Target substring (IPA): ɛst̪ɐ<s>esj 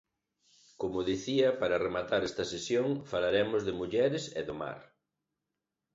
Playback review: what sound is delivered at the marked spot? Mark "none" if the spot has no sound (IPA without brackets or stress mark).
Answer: s